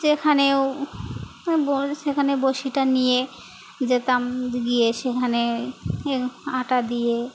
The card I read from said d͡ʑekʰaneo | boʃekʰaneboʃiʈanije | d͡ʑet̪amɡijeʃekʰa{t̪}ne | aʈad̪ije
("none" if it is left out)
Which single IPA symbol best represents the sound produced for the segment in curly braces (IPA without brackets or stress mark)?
none